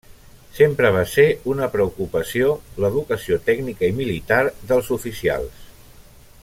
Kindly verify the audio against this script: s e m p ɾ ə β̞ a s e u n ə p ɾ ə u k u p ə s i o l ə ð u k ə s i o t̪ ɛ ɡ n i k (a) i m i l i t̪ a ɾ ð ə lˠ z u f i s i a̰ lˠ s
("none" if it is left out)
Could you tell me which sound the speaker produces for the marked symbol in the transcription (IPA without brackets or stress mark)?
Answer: ə